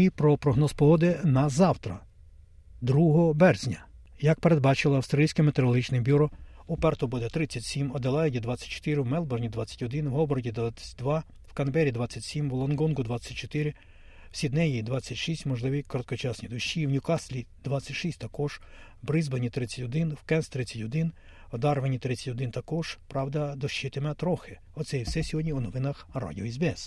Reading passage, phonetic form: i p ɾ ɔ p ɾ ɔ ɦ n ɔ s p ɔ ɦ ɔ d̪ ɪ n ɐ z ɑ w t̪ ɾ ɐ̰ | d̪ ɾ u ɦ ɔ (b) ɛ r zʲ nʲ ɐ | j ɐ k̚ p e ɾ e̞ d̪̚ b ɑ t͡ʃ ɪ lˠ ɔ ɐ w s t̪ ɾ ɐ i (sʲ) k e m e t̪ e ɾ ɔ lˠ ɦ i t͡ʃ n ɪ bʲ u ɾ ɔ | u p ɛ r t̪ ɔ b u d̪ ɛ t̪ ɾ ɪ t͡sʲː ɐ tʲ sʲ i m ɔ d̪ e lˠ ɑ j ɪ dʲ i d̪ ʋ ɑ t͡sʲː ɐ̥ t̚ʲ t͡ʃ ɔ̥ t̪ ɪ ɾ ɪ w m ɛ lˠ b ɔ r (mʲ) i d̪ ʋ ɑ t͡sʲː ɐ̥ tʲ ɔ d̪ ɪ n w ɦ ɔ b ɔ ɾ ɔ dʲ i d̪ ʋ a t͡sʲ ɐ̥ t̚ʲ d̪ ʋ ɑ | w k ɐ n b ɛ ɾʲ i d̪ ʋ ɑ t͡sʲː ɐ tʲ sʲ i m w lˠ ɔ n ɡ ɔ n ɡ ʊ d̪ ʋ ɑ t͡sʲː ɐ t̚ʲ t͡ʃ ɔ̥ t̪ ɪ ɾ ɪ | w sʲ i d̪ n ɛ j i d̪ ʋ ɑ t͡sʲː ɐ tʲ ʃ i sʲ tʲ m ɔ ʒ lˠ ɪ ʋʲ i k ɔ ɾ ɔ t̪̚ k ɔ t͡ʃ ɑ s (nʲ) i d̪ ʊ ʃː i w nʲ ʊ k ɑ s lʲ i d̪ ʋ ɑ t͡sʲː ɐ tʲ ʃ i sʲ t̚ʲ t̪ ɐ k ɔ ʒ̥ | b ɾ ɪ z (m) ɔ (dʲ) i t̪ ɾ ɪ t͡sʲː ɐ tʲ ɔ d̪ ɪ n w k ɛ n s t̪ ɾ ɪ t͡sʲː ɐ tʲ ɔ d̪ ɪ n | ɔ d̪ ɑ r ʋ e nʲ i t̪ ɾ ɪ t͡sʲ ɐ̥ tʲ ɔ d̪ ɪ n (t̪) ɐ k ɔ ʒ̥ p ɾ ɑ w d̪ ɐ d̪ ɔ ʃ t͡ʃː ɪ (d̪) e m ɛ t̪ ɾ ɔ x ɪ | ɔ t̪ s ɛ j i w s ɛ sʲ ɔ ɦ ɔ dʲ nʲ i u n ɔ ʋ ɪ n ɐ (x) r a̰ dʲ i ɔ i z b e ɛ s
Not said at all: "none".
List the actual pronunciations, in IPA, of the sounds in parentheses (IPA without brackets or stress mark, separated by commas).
b, sʲ, nʲ, nʲ, b, nʲ, t̪, t̪, x